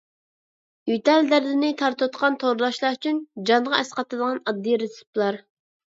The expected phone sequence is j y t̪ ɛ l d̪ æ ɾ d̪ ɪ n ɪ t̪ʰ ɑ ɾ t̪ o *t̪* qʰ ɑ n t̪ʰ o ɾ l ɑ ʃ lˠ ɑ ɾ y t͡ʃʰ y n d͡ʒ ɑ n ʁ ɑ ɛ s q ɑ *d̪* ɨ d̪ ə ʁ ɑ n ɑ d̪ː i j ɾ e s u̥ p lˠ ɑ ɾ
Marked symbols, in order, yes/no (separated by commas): yes, no